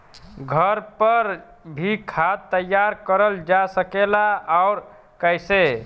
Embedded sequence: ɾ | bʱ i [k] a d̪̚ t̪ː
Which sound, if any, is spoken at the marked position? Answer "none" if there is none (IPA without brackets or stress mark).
kʰ